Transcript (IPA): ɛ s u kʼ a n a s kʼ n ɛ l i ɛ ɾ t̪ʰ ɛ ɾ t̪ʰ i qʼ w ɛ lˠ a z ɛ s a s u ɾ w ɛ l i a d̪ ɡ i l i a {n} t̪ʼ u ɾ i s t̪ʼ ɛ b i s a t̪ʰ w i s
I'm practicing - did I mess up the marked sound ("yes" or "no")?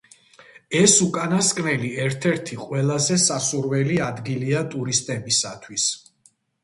yes